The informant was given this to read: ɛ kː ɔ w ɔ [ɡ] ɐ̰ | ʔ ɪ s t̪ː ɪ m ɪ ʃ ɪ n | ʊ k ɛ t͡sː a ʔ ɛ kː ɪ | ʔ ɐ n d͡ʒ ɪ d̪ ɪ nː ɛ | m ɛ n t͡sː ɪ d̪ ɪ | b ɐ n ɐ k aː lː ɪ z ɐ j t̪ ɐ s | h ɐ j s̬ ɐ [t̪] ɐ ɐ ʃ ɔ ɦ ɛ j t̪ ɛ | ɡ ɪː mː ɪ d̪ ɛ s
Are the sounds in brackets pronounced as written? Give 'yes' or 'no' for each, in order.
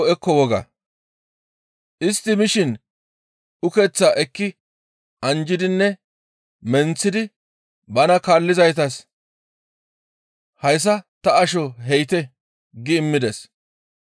yes, yes

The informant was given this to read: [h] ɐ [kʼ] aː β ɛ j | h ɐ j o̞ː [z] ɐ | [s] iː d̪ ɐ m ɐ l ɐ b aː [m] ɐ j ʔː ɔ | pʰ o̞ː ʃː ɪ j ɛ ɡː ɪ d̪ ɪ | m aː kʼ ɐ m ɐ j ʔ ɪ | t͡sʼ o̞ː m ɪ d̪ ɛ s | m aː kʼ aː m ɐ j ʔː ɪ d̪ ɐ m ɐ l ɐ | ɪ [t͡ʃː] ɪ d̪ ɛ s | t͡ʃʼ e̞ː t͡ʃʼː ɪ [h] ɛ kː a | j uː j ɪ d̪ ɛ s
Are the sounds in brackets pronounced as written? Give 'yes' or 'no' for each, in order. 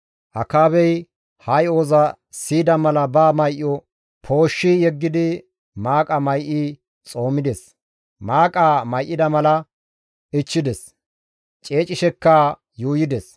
yes, no, yes, yes, yes, yes, no

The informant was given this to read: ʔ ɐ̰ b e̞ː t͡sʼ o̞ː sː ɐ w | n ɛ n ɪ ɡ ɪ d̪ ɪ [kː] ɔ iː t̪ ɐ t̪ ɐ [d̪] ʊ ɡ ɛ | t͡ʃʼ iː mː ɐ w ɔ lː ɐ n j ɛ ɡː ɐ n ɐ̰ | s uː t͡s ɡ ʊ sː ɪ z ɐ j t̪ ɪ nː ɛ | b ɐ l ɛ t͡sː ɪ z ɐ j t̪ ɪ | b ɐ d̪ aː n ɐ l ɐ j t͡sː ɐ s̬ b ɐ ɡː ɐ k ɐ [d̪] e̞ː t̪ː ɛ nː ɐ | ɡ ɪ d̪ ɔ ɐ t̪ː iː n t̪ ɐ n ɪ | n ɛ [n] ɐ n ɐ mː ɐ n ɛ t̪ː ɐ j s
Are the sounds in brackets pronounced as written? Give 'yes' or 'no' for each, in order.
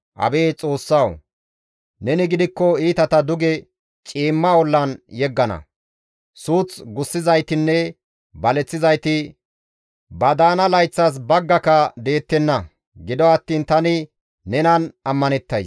yes, yes, yes, yes

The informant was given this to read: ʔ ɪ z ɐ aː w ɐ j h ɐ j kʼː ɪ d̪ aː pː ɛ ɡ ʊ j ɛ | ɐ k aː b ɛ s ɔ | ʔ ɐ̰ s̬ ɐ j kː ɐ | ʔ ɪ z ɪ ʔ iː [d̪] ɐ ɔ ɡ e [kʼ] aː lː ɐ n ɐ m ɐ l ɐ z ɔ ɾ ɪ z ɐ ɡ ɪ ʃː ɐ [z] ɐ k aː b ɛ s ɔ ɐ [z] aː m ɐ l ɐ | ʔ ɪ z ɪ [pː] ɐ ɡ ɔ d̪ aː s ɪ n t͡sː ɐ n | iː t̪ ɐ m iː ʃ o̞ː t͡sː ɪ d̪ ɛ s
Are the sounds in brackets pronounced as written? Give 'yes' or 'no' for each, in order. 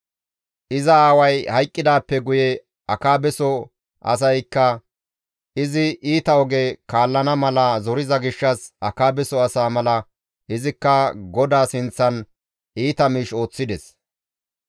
no, no, no, no, no

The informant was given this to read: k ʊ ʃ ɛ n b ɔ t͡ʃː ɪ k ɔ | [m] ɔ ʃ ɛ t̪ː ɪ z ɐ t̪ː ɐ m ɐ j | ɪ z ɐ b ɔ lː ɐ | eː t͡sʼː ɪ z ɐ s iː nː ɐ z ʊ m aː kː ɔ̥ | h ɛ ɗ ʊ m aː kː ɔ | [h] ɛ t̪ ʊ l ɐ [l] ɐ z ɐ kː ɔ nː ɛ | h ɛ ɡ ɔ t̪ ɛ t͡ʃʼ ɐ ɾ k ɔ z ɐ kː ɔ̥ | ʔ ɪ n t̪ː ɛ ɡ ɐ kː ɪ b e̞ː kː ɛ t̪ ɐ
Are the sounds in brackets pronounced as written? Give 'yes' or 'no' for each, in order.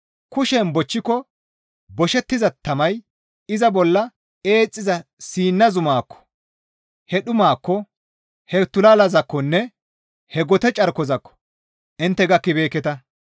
no, yes, yes

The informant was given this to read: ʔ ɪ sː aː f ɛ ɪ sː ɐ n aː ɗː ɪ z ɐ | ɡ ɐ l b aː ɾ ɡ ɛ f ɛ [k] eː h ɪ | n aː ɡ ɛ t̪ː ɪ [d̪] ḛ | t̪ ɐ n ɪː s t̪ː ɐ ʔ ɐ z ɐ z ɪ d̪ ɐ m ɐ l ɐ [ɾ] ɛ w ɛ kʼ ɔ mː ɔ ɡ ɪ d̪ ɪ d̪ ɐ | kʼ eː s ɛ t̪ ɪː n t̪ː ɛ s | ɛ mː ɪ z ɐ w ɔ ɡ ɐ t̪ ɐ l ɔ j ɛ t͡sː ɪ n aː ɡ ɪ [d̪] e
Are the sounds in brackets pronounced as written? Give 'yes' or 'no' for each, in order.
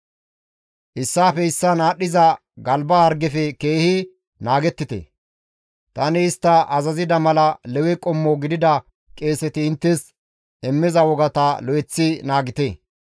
yes, no, no, no

